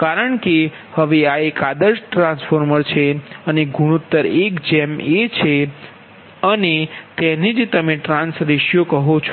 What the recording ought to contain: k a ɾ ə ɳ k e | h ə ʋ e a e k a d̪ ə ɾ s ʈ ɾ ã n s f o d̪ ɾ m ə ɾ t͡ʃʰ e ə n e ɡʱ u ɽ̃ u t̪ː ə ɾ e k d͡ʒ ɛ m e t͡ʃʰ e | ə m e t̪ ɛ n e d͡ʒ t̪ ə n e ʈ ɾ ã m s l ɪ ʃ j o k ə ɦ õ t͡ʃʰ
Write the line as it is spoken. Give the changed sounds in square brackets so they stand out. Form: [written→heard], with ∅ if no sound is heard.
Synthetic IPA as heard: k a ɾ ə ɳ k e | h ə ʋ e a e k a d̪ ə ɾ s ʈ ɾ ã n s f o [d̪→∅] ɾ m ə ɾ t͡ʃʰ e ə n e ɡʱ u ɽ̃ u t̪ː ə ɾ e k d͡ʒ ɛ m e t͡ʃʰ e | ə [m→n] e t̪ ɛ n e d͡ʒ t̪ ə [n→m] e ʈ ɾ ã [m→n] s [l→ɾ] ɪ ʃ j o k ə ɦ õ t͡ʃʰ